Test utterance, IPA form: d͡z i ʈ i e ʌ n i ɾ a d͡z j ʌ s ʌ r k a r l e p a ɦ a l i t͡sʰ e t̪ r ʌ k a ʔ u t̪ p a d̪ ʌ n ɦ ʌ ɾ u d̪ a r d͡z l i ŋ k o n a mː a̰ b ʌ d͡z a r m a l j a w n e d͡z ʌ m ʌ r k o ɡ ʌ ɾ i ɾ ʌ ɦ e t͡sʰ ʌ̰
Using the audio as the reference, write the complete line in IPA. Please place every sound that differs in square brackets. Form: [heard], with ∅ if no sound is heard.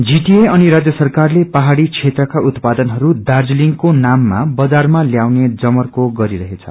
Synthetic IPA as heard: d͡z i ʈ i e ʌ n i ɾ a d͡z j ʌ s ʌ r k a r l e p a ɦ a [ɽ] i t͡sʰ e t̪ r ʌ k a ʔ u t̪ p a d̪ ʌ n ɦ ʌ ɾ u d̪ a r d͡z l i ŋ k o n a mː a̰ b ʌ d͡z a r m a l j a w n e d͡z ʌ m ʌ r k o ɡ ʌ ɾ i ɾ ʌ ɦ e t͡sʰ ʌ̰